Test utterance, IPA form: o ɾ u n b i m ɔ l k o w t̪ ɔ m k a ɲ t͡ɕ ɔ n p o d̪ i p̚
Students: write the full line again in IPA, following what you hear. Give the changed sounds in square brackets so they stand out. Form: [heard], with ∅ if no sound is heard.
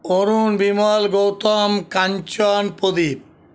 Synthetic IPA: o ɾ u n b i m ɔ l [ɡ] o w t̪ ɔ m k a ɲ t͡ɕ ɔ n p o d̪ i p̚